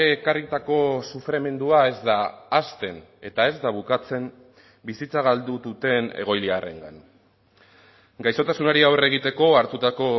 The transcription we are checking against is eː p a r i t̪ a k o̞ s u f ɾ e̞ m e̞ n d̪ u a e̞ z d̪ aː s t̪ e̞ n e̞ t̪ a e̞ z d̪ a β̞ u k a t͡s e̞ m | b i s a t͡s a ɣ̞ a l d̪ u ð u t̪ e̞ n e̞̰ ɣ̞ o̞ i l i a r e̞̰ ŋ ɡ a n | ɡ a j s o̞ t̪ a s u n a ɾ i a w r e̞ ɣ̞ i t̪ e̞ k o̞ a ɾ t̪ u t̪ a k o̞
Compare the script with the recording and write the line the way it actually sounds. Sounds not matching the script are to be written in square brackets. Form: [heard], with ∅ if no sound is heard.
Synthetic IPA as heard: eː [k] a r i t̪ a k o̞ s u f ɾ e̞ m e̞ n d̪ u a e̞ z d̪ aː s t̪ e̞ n e̞ t̪ a e̞ z d̪ a β̞ u k a t͡s e̞ m | b i s [i] t͡s a ɣ̞ a l d̪ u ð u t̪ e̞ n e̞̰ ɣ̞ o̞ [j] l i a r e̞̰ ŋ ɡ a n | ɡ a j s o̞ t̪ a s u n a ɾ i a w r e̞ ɣ̞ i t̪ e̞ k o̞ a ɾ t̪ u t̪ a k o̞